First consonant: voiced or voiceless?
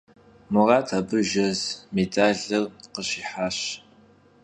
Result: voiced